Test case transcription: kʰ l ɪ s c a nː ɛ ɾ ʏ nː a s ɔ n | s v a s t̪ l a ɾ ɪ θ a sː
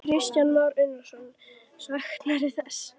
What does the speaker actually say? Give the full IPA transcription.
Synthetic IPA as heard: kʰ ɾ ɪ s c a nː a ɾ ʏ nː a s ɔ n | s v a x t̪ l a ɾ ɪ θ ɛ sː

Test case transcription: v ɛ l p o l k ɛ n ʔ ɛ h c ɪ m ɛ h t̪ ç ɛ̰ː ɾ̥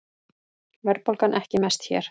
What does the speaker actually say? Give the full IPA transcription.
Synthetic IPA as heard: v ɛ ɾ p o l k a n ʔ ɛ h c ɪ m ɛ s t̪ ç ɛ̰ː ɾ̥

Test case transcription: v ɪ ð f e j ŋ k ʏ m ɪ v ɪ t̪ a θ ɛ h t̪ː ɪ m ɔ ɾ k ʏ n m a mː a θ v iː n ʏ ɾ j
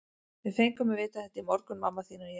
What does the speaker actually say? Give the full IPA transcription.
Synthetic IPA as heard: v ɪ ð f e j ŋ k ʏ m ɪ v ɪː t̪ a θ ɛ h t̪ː ɪ m ɔ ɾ k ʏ n m a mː a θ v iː n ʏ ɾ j

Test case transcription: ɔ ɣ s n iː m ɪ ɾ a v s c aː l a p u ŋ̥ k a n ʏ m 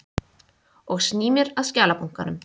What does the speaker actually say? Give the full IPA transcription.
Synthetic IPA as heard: ɔ ɣ s n iː m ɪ ɾ a ð s c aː l a p u ŋ̥ k a n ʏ m

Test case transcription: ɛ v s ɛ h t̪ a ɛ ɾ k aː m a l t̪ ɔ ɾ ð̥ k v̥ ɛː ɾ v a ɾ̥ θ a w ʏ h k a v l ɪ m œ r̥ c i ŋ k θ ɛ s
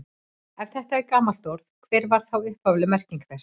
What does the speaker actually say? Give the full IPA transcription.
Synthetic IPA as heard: ɛ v θ ɛ h t̪ a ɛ ɾ k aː m a l t̪ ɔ ɾ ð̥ kʰ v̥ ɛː ɾ v a ɾ̥ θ a w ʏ h p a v l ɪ m ɛ r̥ c i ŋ k θ ɛ s

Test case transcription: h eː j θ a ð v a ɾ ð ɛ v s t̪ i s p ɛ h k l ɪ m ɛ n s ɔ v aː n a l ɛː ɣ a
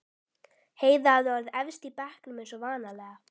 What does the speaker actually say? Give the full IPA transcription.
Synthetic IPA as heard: h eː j ð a ð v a ɾ ð ɛ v s t̪ i p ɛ h k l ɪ m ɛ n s ɔ v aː n a l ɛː ɣ a

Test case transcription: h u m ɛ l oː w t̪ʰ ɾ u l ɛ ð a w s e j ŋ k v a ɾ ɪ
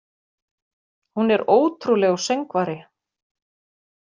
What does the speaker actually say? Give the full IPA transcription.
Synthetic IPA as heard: h u n ɛ ɾ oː w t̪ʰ ɾ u l ɛ ɣ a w s e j ŋ k v a ɾ ɪ

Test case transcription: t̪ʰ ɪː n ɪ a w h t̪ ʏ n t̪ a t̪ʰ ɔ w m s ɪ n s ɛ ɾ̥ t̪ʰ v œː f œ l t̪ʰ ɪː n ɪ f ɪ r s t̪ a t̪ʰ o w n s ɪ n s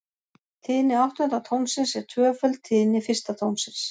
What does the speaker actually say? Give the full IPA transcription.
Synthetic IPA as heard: t̪ʰ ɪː n ɪ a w h t̪ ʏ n t̪ a t̪ʰ o w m s ɪ n s ɛ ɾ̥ t̪ʰ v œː f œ l t̪ʰ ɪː n ɪ f ɪ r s t̪ a t̪ʰ o w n s ɪ n s

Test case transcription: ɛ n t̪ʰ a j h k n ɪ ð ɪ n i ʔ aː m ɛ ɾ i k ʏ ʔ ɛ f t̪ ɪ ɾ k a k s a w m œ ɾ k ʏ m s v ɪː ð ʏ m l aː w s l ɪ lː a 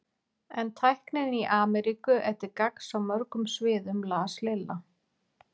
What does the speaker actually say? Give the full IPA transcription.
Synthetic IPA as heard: ɛ n t̪ʰ a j h k n ɪ ð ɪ n i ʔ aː m ɛ ɾ i k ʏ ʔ ɛ h t̪ ɪ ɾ k a k s a w m œ ɾ k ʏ m s v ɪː ð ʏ m l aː s l ɪ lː a

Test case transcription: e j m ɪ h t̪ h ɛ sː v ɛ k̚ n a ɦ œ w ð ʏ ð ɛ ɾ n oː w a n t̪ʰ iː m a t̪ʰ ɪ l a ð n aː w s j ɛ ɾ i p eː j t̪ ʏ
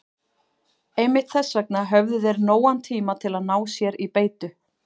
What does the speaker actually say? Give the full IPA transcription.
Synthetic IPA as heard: e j m ɪ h t̪ θ ɛ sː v ɛ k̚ n a ɦ œ v ð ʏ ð ɛ ɾ n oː w a n t̪ʰ iː m a t̪ʰ ɪ l a ð n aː w s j ɛ ɾ i p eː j t̪ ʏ

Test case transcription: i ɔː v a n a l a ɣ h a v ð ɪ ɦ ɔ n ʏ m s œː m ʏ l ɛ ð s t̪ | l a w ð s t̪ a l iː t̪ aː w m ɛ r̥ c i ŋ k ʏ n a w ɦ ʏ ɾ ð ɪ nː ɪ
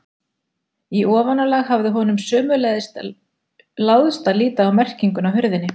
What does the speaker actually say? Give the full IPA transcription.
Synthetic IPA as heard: i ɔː v a n a l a ɣ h a v ð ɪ ɦ ɔ n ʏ m s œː m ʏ l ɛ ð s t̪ | l a w ð s t̪ a l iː t̪ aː w m ɛ r̥ c i ŋ k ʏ n a w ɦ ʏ ɾ ð ɪ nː ɪ

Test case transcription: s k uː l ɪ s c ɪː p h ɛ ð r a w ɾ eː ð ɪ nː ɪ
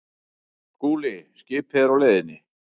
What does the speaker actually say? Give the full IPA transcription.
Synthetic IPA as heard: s k uː l ɪ s c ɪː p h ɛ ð ɾ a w l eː ð ɪ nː ɪ

